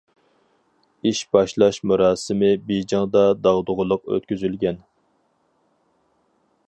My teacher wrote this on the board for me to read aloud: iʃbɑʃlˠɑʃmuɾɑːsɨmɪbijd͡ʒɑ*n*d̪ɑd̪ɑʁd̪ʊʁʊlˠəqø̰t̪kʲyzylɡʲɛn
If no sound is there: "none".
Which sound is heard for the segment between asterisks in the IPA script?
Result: ŋ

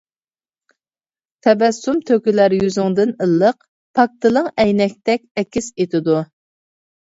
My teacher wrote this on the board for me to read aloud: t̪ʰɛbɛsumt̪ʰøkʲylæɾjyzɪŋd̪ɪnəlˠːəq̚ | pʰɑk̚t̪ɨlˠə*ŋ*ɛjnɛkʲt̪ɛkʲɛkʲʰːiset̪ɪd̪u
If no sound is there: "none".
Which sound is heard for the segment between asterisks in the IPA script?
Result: ŋ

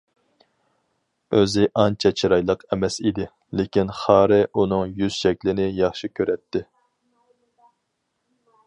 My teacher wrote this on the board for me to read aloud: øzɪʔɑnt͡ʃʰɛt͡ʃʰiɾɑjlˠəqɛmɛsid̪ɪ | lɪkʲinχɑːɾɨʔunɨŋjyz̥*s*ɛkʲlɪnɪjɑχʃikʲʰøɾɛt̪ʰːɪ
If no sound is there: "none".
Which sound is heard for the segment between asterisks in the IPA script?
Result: ʃ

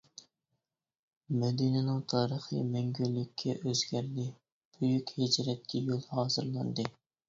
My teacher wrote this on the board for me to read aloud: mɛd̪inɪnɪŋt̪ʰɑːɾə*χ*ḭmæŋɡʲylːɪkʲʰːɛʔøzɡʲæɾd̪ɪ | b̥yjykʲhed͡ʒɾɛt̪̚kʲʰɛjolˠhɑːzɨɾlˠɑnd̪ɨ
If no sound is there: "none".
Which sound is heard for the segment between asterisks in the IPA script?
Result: χ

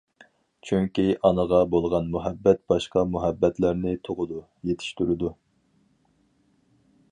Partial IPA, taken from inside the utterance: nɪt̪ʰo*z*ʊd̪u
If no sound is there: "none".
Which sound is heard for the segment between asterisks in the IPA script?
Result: ʁ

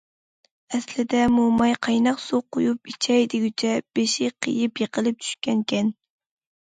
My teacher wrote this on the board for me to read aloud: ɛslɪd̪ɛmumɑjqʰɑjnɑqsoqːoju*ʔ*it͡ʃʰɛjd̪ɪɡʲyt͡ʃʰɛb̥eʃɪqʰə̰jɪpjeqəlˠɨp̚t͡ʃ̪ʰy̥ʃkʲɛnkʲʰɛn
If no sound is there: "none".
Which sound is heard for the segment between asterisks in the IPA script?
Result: p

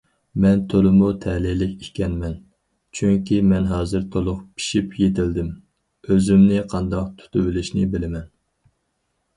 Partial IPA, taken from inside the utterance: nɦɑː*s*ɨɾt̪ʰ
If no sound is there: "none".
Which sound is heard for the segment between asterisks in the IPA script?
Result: z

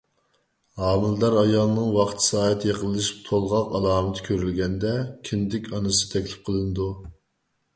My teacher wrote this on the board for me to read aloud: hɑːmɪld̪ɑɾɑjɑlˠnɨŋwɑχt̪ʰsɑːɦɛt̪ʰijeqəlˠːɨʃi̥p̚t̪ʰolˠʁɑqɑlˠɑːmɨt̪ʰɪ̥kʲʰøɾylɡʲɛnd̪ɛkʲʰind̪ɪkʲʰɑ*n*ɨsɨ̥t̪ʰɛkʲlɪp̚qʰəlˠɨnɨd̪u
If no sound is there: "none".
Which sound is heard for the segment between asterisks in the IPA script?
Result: n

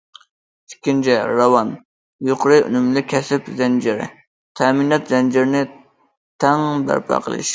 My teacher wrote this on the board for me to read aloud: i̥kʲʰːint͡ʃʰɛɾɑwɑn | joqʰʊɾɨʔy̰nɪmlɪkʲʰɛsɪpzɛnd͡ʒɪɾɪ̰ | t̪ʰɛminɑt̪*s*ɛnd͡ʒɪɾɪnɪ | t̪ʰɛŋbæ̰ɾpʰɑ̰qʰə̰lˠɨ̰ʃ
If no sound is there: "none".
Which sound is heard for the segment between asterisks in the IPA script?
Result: z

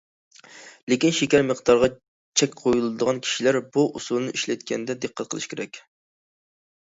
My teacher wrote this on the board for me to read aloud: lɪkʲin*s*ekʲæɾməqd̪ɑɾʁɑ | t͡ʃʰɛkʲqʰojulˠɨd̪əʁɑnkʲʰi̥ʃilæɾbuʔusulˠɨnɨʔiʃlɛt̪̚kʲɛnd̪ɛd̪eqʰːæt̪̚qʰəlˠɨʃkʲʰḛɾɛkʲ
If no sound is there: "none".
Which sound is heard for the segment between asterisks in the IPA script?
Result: ʃ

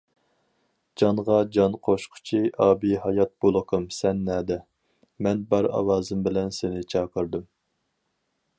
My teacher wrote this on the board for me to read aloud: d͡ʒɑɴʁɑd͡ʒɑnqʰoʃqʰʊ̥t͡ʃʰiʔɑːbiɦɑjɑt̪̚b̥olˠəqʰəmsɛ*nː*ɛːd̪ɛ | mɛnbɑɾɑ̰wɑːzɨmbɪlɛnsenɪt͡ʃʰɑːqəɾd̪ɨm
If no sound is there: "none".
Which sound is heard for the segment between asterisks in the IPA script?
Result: nː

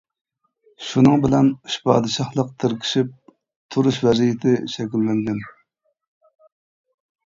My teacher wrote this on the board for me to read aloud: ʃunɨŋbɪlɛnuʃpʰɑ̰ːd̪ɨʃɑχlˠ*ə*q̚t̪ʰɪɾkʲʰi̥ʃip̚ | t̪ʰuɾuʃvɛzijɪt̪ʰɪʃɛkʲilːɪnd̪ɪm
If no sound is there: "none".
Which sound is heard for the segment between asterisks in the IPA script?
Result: ə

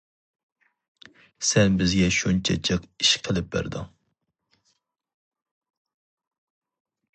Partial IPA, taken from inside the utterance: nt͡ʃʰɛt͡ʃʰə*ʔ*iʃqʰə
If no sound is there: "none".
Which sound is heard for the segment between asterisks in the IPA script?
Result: q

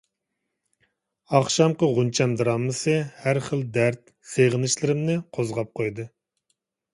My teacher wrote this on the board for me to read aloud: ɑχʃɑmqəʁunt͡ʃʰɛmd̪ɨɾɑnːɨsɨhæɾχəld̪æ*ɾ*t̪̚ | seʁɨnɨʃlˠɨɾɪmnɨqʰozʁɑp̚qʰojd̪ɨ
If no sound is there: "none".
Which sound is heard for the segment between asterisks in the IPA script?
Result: ɾ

